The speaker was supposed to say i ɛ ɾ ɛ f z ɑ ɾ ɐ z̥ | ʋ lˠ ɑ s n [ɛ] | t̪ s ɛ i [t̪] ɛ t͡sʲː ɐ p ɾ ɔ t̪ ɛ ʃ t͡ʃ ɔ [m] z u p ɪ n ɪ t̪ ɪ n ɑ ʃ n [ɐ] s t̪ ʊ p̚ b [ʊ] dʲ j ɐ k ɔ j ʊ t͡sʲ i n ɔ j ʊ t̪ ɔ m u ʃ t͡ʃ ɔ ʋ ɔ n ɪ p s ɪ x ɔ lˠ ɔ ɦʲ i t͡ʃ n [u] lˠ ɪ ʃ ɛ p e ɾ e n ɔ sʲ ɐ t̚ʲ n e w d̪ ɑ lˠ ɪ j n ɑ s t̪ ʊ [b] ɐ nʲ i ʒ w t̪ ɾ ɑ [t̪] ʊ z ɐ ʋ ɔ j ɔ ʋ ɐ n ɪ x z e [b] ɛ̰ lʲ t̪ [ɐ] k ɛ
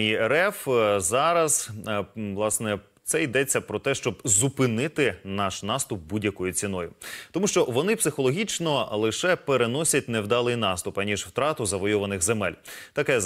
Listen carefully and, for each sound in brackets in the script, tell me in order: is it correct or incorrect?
correct, incorrect: d̪, incorrect: b, incorrect: ɑ, incorrect: u, incorrect: ɔ, incorrect: p, correct, incorrect: m, correct

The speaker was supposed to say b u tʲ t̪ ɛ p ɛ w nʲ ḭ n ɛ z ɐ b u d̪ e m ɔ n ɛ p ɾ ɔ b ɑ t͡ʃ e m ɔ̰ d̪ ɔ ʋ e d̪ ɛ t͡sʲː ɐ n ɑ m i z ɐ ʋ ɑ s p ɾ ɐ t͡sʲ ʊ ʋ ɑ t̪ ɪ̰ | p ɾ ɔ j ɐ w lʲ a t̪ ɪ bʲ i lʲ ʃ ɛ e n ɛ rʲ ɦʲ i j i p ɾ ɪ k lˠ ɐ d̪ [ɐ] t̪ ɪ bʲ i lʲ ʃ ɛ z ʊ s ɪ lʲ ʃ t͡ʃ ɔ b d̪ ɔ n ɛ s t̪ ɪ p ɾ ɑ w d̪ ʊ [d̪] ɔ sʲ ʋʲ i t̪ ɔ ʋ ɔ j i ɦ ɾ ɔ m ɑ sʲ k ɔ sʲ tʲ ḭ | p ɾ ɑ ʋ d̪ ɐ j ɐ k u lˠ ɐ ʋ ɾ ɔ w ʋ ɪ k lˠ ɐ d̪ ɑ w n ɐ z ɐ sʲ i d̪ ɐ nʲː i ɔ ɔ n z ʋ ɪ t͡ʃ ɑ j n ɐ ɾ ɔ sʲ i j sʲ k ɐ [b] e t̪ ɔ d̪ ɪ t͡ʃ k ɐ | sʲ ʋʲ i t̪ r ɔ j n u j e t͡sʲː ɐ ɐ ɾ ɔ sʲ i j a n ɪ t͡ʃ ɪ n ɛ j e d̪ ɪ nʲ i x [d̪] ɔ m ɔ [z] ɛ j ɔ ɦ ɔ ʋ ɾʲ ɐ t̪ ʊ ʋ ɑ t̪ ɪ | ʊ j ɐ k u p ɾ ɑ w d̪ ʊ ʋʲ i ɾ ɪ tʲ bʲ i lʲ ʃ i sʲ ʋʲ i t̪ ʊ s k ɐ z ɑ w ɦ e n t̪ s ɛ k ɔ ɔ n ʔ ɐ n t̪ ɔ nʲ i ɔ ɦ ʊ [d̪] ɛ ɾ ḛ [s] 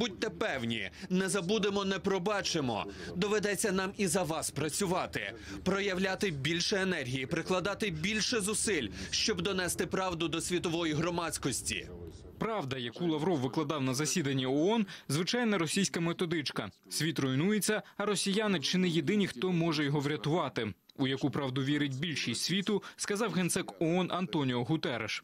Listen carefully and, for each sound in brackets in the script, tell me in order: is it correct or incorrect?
incorrect: ɑ, correct, incorrect: m, incorrect: t̪, incorrect: ʒ, incorrect: t̪, incorrect: ʃ

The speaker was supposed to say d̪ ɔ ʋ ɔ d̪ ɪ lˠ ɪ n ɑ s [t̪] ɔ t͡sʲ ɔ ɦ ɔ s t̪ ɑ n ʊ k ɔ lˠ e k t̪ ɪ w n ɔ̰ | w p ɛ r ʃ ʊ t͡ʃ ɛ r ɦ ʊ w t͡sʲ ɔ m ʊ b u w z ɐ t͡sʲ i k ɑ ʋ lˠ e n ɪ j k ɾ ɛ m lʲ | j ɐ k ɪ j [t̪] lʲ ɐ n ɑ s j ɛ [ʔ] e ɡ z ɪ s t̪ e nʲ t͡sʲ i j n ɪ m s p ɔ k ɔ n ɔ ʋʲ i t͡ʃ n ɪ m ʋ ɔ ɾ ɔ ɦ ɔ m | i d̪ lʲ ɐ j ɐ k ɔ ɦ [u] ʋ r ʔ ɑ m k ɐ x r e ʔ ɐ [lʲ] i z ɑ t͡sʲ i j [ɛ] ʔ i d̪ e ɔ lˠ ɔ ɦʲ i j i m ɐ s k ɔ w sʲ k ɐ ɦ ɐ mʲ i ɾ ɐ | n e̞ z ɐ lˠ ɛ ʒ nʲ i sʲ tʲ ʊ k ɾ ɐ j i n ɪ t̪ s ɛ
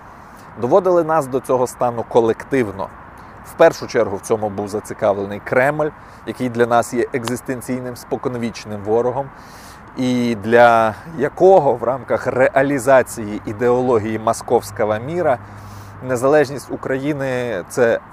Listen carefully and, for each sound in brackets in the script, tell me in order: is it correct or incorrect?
incorrect: d̪, incorrect: d̪, correct, incorrect: ɔ, correct, incorrect: i

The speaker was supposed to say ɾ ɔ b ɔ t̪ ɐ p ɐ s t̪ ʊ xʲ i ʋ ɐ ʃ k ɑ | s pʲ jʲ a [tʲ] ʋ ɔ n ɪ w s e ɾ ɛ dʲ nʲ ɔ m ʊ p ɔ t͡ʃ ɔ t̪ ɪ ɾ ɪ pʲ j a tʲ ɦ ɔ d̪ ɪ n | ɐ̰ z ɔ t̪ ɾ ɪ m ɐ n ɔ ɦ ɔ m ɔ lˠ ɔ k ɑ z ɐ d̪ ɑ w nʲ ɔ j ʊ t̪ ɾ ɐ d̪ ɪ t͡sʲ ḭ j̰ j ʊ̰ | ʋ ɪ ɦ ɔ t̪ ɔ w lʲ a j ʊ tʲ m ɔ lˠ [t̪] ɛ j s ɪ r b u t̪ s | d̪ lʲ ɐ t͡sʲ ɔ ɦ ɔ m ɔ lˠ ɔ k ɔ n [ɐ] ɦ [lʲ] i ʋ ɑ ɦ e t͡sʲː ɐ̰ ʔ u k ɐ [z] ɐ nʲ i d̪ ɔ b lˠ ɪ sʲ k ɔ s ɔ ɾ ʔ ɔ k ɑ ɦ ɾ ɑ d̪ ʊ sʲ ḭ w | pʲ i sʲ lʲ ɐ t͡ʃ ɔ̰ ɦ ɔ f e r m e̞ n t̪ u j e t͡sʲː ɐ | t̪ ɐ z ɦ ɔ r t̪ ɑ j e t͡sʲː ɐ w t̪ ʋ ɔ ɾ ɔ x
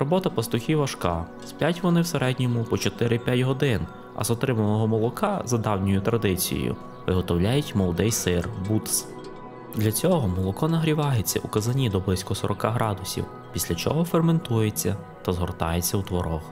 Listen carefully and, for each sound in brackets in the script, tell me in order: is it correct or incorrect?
correct, incorrect: d̪, correct, incorrect: ɾʲ, correct

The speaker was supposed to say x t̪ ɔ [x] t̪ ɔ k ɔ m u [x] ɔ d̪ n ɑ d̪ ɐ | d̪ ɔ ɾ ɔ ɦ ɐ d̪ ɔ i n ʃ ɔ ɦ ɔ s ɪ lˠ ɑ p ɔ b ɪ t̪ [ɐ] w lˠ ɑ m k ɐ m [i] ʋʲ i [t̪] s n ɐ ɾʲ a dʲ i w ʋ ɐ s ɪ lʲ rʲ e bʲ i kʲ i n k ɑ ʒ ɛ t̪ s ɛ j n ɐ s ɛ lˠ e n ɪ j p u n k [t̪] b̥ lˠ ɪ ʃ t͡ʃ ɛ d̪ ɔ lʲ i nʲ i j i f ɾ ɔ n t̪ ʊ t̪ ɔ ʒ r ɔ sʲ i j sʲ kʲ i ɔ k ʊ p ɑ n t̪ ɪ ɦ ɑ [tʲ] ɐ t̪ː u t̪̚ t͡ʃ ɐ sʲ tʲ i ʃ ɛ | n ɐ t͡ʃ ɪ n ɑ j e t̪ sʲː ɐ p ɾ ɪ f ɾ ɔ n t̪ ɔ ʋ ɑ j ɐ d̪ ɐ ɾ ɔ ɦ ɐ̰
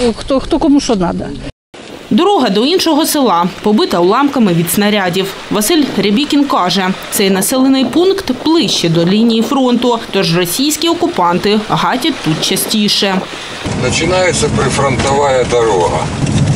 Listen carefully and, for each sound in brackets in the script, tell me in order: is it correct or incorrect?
correct, incorrect: ʃ, correct, incorrect: ɪ, incorrect: d̪, correct, correct

